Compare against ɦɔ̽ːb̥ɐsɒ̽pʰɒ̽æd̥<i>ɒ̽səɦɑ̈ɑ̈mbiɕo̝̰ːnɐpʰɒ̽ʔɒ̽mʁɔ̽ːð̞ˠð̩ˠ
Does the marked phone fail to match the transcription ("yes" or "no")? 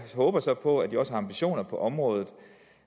no